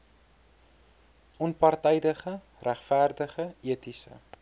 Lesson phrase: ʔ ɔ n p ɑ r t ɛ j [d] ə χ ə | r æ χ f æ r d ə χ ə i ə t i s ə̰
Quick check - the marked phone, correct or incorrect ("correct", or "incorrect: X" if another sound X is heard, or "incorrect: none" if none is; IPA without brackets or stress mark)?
correct